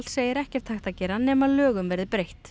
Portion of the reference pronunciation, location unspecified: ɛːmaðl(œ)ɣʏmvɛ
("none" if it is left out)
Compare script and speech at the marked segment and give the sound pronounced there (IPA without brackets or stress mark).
œː